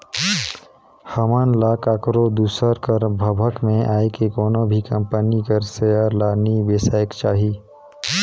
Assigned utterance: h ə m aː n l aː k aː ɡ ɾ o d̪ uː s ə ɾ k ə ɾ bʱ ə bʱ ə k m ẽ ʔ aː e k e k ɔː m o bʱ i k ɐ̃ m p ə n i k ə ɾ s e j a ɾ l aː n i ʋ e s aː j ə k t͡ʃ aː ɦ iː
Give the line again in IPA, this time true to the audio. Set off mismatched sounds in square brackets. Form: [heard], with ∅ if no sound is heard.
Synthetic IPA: h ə m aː n l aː k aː [k] ɾ o d̪ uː s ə ɾ k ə ɾ bʱ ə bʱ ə k m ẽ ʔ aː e k e k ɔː [n] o bʱ i k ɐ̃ m p ə n i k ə ɾ s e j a ɾ l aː n i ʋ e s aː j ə k t͡ʃ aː ɦ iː